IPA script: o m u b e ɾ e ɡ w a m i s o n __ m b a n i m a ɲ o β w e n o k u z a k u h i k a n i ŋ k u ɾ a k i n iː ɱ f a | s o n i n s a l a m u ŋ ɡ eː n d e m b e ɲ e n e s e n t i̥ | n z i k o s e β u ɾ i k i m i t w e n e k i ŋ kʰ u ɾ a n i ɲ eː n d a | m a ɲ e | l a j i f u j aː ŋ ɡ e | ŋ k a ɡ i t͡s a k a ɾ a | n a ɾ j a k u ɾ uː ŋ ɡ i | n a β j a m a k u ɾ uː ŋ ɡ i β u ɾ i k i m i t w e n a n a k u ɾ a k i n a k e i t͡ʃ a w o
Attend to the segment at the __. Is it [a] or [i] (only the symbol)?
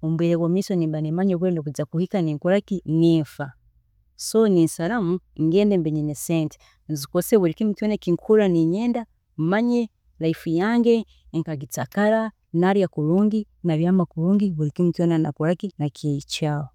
i